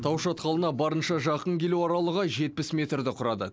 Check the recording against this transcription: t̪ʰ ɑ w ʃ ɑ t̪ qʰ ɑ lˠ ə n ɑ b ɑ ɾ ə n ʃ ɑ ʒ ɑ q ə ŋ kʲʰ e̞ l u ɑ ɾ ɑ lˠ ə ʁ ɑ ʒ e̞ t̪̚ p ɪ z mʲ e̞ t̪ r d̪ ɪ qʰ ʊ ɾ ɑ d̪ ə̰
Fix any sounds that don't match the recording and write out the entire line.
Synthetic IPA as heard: t̪ʰ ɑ w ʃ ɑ t̪ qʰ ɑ lˠ ə n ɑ b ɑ ɾ ə n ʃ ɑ ʒ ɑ q ə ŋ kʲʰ e̞ l u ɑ ɾ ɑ lˠ ə ʁ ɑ ʒ e̞ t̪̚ p ɪ s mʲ e̞ t̪ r d̪ ɪ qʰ ʊ ɾ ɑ d̪ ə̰